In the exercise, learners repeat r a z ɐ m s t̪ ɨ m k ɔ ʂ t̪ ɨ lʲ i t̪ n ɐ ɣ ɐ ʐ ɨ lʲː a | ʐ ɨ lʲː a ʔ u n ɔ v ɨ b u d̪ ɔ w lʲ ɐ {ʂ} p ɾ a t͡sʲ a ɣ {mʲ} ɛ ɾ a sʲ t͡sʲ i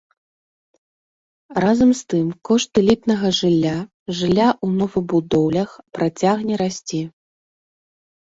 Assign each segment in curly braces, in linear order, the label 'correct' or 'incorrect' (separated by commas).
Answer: incorrect, incorrect